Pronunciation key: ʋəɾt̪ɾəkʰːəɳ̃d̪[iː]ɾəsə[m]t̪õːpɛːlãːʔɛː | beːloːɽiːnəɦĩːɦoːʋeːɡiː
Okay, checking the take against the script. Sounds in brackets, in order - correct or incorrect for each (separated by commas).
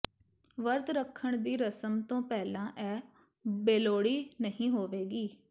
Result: correct, correct